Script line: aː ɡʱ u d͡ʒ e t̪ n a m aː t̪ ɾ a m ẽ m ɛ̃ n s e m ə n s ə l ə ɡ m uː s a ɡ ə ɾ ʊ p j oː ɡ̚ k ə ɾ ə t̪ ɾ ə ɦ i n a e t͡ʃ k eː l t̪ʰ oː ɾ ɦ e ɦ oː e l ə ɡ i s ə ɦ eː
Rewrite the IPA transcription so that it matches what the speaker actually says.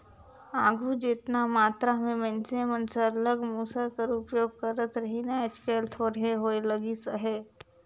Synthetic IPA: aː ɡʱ u d͡ʒ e t̪ n a m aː t̪ ɾ a m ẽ m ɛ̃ n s e m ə n s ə l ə ɡ m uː s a k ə ɾ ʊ p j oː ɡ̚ k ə ɾ ə t̪ ɾ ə ɦ i n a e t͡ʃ k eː l t̪ʰ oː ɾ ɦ e ɦ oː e l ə ɡ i s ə ɦ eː